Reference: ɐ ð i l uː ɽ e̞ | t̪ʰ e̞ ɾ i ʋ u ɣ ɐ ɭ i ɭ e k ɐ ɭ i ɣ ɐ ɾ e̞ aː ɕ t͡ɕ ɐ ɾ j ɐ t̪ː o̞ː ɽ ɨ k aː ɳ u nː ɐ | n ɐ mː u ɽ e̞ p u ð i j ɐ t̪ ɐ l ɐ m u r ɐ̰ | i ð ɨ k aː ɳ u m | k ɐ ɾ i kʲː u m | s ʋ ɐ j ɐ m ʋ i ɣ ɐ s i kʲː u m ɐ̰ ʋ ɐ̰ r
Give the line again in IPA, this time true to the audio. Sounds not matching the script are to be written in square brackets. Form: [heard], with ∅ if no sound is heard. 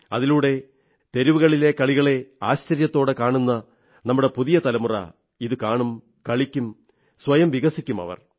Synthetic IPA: ɐ ð i l uː ɽ e̞ | [t̪] e̞ ɾ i ʋ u ɣ ɐ ɭ i [l] e k ɐ ɭ i ɣ ɐ [ɭ] e̞ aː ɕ t͡ɕ ɐ ɾ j ɐ t̪ː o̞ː ɽ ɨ k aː ɳ u nː ɐ | n ɐ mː u ɽ e̞ p u ð i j ɐ t̪ ɐ l ɐ m u r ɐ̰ | i ð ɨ k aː ɳ u m | k ɐ [ɭ] i kʲː u m | s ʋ ɐ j ɐ m ʋ i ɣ ɐ s i kʲː u m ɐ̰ ʋ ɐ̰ r